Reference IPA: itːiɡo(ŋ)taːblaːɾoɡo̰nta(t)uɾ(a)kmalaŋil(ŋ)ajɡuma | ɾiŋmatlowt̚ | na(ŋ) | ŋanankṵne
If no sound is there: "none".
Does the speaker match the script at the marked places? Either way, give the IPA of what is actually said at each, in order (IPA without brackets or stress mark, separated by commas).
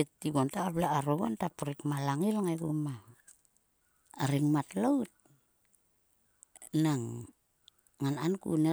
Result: n, p, i, ŋ, ŋ